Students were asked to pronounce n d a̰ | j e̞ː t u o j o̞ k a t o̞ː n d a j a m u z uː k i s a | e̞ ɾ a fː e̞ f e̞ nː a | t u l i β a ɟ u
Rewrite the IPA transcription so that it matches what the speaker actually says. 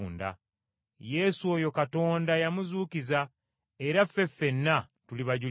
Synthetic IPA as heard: n d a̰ | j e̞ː s u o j o̞ k a t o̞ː n d a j a m u z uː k i z a | e̞ ɾ a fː e̞ f e̞ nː a | t u l i β a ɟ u